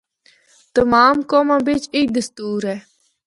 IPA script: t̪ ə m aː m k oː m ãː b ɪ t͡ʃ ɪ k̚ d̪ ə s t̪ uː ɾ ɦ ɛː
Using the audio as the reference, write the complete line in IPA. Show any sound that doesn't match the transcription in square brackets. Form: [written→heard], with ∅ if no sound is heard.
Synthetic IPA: t̪ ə m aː m k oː m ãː b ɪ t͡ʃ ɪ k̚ d̪ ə s t̪ uː ɾ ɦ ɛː